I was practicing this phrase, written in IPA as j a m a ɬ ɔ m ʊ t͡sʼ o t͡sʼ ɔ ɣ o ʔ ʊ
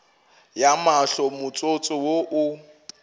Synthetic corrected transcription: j a m a ɬ ɔ m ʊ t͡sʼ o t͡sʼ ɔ w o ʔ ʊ